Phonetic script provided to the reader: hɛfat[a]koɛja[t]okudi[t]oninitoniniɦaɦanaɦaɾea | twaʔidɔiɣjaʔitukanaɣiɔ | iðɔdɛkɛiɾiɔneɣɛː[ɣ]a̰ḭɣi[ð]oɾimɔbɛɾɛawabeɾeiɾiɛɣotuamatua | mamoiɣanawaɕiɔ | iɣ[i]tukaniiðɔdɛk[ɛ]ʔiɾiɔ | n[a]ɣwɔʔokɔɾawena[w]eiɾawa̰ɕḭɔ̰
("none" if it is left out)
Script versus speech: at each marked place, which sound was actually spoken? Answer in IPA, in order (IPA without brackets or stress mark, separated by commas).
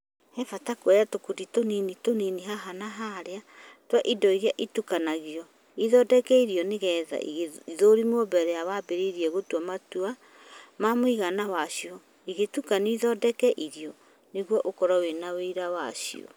a, t, t, ð, ð, e, ɛ, e, w